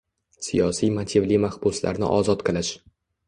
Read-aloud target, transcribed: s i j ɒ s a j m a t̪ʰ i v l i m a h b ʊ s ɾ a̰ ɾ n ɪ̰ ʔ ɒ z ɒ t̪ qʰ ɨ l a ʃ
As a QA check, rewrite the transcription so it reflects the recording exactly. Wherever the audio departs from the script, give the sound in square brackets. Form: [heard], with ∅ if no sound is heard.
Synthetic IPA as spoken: s i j ɒ s [i] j m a t̪ʰ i v l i m a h b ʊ s [l] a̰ ɾ n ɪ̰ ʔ ɒ z ɒ t̪ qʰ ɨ l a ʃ

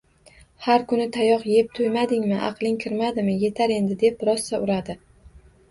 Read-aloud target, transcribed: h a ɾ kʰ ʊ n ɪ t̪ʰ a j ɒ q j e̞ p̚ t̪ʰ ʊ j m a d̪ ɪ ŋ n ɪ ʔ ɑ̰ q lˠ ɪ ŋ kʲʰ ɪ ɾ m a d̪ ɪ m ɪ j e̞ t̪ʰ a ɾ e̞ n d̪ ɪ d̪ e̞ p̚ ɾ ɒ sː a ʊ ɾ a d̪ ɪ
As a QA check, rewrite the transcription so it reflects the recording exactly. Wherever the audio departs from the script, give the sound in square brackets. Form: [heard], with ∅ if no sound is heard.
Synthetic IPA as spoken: h a ɾ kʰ ʊ n ɪ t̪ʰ a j ɒ q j e̞ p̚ t̪ʰ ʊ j m a d̪ ɪ ŋ [m] ɪ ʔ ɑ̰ q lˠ ɪ ŋ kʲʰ ɪ ɾ m a d̪ ɪ m ɪ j e̞ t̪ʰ a ɾ e̞ n d̪ ɪ d̪ e̞ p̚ ɾ ɒ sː a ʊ ɾ a d̪ ɪ

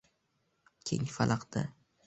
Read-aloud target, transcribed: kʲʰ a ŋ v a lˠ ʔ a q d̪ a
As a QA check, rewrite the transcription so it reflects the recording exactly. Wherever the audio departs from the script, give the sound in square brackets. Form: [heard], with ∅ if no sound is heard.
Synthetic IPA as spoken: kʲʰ [e] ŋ [f] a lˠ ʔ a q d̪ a

